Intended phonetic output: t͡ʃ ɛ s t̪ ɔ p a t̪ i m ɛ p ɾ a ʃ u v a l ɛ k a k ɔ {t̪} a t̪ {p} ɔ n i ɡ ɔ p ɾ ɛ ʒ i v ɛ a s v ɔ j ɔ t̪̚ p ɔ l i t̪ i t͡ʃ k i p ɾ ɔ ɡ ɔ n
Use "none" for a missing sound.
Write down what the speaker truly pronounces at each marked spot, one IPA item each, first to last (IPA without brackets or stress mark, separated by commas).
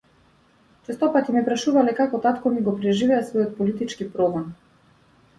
t̪, k